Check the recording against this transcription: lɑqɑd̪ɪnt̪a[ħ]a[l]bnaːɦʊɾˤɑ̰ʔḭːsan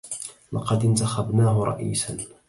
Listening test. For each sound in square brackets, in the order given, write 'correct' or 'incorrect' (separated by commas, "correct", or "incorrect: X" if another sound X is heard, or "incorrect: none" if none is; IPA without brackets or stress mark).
incorrect: x, incorrect: none